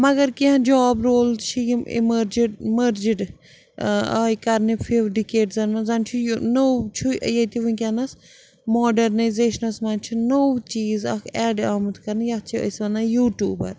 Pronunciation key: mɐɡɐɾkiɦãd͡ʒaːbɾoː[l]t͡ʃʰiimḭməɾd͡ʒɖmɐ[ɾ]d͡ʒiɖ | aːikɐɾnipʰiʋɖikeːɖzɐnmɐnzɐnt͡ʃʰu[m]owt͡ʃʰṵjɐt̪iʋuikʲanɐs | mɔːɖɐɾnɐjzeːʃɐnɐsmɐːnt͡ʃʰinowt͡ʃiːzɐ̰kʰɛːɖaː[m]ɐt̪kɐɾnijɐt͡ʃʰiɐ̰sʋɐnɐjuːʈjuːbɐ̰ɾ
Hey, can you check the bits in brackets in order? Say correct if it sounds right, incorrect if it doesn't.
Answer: correct, correct, incorrect: n, correct

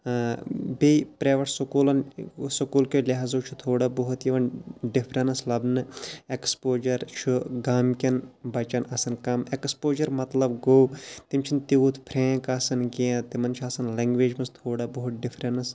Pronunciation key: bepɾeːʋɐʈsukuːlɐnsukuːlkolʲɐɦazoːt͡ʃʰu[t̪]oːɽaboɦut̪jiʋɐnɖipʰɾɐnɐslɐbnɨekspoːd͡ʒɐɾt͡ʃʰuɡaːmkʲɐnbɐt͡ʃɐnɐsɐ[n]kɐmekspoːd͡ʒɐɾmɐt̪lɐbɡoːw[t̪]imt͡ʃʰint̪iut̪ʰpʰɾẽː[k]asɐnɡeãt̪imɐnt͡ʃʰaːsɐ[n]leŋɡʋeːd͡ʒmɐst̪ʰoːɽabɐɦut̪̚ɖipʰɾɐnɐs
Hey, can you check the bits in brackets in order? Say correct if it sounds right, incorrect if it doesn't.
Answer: incorrect: t̪ʰ, correct, correct, correct, correct

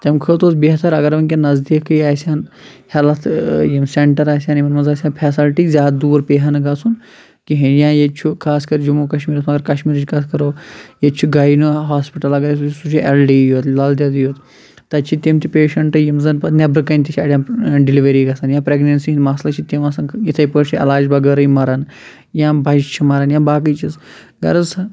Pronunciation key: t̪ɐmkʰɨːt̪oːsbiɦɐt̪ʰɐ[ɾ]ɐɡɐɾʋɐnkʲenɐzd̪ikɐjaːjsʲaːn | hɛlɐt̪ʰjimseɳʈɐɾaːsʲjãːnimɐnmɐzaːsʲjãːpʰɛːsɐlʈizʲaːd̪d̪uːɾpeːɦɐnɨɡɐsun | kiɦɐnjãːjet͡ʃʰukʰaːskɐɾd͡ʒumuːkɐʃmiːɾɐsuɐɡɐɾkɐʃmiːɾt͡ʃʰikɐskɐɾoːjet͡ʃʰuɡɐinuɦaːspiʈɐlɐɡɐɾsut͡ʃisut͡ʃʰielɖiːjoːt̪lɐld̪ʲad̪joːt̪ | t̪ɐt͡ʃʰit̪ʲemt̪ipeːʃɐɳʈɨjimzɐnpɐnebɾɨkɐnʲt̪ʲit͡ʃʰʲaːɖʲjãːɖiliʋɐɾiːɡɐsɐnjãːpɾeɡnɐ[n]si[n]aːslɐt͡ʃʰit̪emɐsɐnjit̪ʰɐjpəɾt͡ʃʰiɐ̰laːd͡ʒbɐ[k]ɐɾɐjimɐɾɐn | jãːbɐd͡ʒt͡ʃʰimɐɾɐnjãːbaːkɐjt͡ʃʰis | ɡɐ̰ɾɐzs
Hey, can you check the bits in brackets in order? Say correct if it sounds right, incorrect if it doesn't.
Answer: correct, correct, incorrect: m, incorrect: ɡ

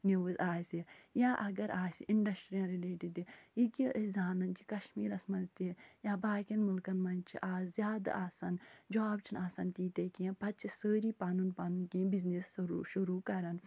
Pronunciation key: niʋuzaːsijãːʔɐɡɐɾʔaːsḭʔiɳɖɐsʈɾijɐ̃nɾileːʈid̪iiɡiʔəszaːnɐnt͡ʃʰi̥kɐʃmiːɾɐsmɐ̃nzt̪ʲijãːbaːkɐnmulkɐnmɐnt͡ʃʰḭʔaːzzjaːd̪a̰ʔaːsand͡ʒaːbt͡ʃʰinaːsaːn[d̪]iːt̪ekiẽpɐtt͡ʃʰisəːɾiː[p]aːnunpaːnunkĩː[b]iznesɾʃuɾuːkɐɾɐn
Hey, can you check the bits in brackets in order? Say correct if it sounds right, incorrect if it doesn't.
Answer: incorrect: t̪, correct, correct

